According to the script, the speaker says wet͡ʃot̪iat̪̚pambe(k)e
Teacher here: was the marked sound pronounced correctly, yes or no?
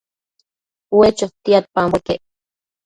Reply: yes